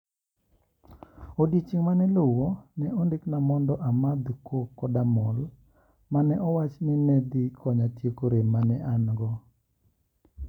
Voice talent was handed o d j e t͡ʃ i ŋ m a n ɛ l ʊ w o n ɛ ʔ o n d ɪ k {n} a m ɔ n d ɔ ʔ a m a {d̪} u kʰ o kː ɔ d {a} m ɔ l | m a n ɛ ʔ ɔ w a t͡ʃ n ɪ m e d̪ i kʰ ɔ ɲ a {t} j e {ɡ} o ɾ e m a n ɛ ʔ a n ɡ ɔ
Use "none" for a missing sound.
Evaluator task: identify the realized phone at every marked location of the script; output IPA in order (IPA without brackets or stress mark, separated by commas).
n, d̪, a, t, k